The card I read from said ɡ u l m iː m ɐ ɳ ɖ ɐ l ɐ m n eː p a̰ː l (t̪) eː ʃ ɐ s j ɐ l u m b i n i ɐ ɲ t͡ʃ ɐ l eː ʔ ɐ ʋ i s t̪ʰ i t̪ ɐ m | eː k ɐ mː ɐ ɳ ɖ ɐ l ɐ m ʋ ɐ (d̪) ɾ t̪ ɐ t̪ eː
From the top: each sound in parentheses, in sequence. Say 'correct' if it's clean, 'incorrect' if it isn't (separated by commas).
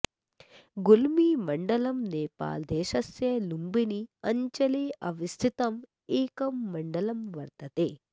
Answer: incorrect, incorrect